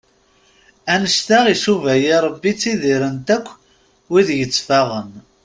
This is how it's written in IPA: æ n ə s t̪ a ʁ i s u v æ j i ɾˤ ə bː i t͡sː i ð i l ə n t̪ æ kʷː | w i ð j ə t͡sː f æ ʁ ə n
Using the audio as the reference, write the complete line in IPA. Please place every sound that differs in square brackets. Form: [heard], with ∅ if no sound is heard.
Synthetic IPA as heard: æ n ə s t̪ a ʁ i s u v æ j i ɾˤ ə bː i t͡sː i ð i [ɾ] ə n t̪ æ kʷː | w i ð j ə t͡sː f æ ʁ ə n

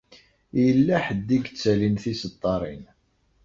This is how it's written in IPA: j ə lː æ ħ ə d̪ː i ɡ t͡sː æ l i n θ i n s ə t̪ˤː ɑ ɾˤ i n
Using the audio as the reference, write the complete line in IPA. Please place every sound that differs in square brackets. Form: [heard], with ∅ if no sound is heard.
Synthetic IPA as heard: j ə lː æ ħ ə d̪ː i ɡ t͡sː æ l i n θ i [∅] s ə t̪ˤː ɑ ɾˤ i n

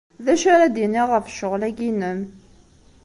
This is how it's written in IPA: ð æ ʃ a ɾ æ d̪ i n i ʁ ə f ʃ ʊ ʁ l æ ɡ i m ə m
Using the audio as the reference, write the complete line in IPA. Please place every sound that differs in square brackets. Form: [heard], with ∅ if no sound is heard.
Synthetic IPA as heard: ð æ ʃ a ɾ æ d̪ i n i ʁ ə f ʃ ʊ ʁ l æ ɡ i [n] ə m

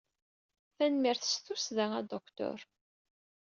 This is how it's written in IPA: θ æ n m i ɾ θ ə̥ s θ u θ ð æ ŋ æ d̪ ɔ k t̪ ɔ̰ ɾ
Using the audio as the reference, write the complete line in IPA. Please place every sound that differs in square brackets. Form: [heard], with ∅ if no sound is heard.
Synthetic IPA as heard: θ æ n m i ɾ θ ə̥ s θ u [s] ð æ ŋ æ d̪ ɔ k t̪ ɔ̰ ɾ

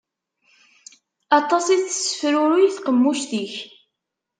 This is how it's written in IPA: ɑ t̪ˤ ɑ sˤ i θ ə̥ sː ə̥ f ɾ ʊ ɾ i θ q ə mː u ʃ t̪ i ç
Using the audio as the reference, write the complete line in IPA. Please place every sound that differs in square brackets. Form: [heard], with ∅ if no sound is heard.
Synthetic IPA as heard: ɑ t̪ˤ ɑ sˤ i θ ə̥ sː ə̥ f ɾ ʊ ɾ i θ q ə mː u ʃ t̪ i ç

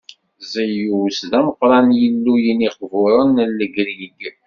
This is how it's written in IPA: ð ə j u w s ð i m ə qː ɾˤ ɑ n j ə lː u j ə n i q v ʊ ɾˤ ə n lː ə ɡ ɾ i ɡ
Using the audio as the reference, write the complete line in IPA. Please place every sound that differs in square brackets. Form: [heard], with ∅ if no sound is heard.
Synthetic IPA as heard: [z] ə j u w s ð [æ] m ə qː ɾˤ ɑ n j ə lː u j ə n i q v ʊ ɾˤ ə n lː ə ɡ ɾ i ɡ

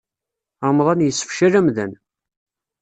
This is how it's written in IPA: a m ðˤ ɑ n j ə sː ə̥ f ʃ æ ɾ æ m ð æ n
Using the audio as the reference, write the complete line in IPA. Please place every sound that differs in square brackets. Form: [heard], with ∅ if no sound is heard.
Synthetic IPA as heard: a m ðˤ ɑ n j ə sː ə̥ f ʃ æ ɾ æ m ð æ n

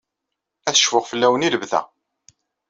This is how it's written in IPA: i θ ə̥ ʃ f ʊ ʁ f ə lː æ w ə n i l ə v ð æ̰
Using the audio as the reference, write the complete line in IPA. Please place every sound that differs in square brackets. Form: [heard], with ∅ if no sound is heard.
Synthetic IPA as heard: [æ] θ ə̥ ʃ f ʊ ʁ f ə lː æ w ə n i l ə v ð æ̰

